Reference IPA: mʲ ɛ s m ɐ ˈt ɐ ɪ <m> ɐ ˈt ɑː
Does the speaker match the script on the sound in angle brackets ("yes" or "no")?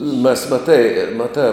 yes